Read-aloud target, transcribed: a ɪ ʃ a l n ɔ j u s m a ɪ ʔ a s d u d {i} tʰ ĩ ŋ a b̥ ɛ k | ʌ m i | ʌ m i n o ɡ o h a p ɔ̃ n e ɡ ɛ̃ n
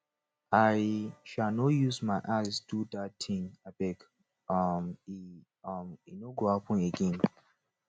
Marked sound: incorrect: a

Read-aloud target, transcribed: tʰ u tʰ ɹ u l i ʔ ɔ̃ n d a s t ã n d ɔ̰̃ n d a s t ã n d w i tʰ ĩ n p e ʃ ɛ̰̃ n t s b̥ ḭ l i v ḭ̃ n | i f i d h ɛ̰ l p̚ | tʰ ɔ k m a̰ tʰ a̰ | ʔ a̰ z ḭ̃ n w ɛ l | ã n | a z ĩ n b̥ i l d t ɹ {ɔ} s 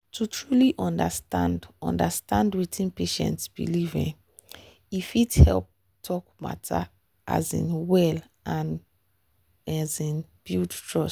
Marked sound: correct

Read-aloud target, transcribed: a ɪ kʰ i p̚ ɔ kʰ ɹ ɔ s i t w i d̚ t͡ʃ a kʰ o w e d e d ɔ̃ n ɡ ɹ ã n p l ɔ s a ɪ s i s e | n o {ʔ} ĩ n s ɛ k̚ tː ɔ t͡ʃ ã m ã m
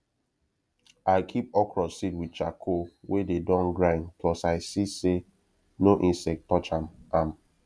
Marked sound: correct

